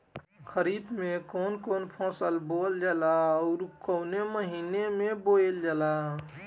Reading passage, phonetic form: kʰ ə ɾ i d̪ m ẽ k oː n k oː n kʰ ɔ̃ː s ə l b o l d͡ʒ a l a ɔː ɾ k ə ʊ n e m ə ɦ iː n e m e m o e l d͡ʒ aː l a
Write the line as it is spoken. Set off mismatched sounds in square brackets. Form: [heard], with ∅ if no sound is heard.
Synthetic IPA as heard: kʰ ə ɾ i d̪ m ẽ k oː n k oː n [pʰ] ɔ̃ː s ə l b o l d͡ʒ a l a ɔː ɾ k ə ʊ n e m ə ɦ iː n e m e [b] o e l d͡ʒ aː l a